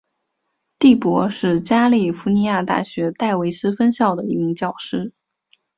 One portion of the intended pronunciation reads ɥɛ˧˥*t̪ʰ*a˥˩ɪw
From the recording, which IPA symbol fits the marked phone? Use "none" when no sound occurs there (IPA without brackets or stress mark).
t̪